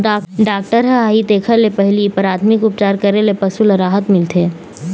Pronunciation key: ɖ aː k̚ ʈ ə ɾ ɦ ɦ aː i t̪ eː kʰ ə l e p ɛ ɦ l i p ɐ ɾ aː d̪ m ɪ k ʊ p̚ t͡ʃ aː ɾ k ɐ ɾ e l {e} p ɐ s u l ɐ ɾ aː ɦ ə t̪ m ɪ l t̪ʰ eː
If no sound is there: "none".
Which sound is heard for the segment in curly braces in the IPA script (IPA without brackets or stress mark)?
e